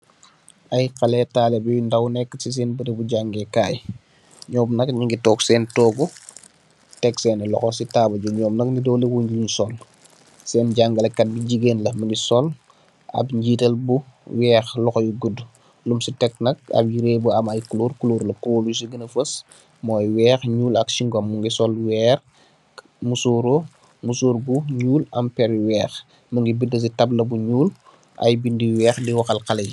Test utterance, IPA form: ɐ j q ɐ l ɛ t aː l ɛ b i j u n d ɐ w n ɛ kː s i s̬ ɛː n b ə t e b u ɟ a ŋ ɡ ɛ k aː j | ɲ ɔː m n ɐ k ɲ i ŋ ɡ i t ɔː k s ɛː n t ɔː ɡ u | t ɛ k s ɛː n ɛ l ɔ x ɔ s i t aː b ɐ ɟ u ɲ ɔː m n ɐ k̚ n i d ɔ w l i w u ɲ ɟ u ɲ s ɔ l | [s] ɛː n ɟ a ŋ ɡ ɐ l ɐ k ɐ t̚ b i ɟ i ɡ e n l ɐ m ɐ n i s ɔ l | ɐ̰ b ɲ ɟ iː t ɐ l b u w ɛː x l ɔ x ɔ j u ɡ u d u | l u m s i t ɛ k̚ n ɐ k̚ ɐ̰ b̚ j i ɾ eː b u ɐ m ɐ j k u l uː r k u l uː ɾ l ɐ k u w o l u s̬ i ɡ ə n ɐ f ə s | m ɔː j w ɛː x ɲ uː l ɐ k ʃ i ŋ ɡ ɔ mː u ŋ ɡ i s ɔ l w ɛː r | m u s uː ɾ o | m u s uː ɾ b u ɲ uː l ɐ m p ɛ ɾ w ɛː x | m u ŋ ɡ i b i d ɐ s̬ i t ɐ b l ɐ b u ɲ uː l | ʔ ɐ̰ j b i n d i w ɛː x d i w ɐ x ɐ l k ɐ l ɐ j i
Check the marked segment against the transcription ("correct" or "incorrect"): correct